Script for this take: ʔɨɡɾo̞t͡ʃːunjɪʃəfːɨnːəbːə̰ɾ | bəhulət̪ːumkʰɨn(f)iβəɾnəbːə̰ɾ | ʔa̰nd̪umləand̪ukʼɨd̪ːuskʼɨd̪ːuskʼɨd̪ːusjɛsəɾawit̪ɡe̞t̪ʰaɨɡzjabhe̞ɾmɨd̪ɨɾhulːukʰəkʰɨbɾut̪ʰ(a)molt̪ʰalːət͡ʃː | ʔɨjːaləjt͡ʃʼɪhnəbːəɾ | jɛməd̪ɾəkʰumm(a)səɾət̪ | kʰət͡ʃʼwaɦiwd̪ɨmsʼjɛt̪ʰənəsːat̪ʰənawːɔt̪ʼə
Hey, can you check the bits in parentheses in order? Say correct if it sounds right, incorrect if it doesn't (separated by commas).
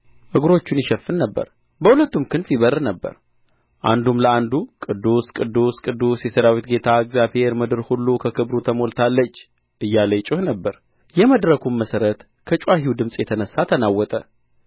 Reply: correct, incorrect, incorrect